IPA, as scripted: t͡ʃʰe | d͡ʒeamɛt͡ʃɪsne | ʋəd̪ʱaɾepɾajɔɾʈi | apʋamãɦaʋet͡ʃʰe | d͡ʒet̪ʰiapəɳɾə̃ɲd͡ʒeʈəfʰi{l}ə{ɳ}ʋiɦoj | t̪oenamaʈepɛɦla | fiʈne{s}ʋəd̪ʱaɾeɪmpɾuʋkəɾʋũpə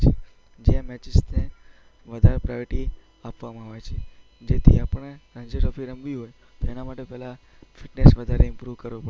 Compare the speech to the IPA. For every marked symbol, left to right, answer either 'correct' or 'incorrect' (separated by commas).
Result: incorrect, incorrect, correct